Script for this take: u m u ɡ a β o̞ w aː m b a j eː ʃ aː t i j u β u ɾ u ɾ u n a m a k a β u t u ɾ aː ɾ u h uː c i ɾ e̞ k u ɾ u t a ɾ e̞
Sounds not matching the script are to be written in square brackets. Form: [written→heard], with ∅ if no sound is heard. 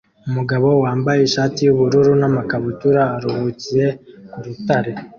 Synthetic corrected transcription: u m u ɡ a β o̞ w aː m b a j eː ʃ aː t i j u β u ɾ u ɾ u n a m a k a β u t u ɾ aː ɾ u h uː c i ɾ e̞ k u ɾ u t a ɾ e̞